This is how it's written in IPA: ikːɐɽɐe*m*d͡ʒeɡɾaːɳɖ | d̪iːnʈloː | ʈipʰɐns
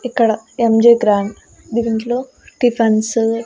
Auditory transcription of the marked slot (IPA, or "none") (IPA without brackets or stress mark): m